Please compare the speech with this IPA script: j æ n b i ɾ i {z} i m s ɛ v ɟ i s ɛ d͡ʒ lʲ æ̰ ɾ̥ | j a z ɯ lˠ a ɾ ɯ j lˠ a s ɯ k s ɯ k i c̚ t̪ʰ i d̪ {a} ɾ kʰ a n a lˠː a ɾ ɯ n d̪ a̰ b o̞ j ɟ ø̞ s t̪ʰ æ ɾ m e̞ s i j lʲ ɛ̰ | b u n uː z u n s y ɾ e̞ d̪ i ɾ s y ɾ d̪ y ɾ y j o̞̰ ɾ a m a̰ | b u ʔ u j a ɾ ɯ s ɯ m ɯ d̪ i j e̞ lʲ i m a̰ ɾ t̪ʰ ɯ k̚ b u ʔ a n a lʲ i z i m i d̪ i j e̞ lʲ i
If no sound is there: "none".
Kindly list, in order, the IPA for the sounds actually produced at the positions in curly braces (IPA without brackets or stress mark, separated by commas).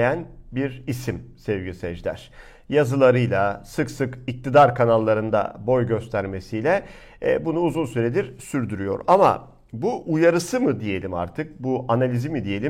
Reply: s, a